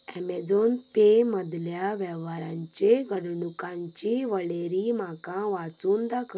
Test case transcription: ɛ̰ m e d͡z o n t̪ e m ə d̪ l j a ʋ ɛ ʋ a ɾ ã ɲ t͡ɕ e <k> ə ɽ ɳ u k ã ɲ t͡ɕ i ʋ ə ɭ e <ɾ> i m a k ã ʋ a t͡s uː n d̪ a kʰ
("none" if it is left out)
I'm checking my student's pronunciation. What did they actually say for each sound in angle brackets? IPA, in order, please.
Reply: ɡ, ɾ

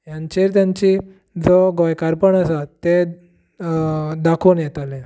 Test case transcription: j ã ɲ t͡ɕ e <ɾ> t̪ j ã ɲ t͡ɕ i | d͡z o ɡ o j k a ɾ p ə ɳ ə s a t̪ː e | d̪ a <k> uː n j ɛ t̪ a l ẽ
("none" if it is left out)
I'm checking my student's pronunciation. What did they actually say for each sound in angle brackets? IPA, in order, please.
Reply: ɾ, kʰ

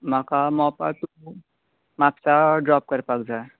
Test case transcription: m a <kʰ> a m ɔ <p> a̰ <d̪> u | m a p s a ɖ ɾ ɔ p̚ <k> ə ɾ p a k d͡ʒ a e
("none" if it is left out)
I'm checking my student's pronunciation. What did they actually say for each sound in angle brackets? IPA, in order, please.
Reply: k, p, t̪, k

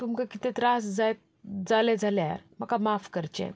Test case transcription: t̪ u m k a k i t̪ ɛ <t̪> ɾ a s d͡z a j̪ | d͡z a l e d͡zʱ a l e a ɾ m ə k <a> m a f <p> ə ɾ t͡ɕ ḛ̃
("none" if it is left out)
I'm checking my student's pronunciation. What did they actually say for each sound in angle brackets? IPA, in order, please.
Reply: t̪, a, k

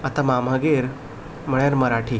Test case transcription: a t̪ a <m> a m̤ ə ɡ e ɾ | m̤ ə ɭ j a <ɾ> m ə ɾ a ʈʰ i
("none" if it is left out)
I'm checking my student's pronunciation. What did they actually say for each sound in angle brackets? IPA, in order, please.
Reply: m, ɾ

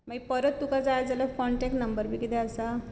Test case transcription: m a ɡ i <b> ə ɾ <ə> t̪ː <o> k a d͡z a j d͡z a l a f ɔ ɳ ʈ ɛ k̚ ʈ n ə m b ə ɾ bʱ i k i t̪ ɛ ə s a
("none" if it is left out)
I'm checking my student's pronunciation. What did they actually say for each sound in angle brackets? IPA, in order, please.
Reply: p, ə, u

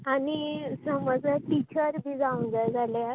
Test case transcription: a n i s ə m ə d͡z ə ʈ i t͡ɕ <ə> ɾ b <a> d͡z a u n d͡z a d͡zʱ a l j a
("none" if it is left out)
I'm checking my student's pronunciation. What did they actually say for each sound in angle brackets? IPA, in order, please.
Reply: ə, i

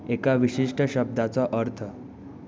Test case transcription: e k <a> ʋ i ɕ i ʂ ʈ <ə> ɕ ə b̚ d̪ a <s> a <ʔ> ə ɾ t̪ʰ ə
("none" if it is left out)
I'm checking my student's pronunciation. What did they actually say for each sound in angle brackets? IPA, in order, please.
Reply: a, ə, t͡s, ʔ

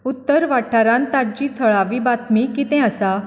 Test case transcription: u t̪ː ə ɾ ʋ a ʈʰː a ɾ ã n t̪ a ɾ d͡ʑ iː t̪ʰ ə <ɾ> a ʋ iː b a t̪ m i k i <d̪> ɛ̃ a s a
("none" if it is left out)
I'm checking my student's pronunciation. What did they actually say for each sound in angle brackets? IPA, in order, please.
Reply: ɭ, t̪

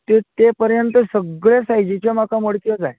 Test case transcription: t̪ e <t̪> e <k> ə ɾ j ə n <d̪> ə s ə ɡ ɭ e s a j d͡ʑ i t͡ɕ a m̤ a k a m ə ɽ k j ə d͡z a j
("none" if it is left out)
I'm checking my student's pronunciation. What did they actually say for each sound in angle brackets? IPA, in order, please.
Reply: t̪, p, t̪

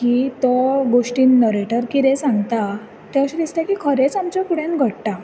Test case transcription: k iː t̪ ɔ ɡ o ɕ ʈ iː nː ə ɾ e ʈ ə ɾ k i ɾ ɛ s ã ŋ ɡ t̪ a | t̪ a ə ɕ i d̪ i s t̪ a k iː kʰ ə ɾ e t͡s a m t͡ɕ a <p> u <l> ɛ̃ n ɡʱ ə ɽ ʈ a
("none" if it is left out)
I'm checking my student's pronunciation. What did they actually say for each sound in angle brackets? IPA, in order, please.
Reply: k, ɽ

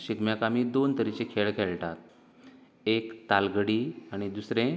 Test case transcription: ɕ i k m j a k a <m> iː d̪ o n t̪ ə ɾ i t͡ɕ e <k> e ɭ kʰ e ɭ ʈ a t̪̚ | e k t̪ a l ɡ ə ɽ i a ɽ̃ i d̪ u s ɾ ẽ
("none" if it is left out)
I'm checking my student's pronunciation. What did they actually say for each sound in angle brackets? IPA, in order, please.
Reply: m, kʰ

